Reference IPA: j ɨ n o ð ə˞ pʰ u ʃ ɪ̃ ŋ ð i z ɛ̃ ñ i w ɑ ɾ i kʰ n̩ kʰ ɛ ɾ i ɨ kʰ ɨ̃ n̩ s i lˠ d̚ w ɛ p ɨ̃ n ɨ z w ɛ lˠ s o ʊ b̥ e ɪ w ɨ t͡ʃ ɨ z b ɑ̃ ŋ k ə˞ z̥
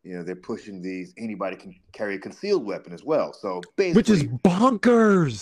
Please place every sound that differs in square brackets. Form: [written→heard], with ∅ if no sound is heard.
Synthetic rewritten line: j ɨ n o ð ə˞ pʰ [u→ʊ] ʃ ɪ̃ ŋ ð i z [ɛ̃→ɛ] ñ i [w→b] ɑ ɾ i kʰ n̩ kʰ ɛ [ɾ→ɹ] i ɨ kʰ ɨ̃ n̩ s i lˠ d̚ w ɛ p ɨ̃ n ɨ z w ɛ lˠ s o ʊ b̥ e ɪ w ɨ t͡ʃ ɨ z b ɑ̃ ŋ k ə˞ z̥